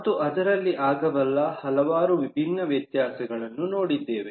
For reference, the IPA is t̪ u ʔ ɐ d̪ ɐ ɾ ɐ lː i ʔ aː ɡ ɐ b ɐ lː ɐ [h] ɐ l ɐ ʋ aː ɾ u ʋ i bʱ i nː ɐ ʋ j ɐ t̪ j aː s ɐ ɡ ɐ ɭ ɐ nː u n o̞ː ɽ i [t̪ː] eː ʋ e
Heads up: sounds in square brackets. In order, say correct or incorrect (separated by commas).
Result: correct, incorrect